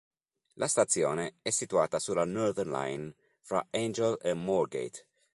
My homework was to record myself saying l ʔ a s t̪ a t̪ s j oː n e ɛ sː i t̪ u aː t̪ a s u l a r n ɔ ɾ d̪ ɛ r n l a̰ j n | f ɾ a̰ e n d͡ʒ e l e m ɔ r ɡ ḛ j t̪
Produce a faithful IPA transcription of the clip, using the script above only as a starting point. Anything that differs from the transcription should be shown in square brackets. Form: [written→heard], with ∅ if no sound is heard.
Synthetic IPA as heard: l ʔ a s t̪ a t̪ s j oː n e ɛ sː i t̪ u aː t̪ a s u l a [r→∅] n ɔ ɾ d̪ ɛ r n l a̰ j n | f ɾ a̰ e n d͡ʒ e l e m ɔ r ɡ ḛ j t̪